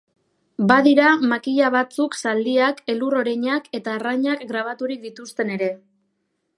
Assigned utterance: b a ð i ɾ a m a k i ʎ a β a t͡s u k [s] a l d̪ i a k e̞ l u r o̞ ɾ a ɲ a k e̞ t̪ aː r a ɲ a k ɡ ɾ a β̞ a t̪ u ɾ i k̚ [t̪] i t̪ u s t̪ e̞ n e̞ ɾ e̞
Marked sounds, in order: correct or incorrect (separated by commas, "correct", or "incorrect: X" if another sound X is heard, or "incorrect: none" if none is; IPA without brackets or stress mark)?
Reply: correct, incorrect: d̪